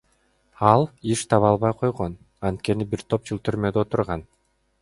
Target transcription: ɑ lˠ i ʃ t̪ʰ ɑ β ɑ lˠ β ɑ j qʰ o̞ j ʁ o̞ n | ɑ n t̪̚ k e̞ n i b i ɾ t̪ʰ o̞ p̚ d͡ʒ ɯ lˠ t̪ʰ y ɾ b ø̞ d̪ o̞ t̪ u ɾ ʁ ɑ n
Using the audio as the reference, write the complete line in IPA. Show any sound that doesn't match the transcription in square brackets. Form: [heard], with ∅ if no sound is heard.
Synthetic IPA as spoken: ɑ lˠ i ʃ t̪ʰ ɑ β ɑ lˠ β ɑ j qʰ o̞ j ʁ o̞ n | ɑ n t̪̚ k e̞ n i b i ɾ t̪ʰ o̞ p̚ d͡ʒ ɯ lˠ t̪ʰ y ɾ [m] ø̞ d̪ o̞ t̪ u ɾ ʁ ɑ n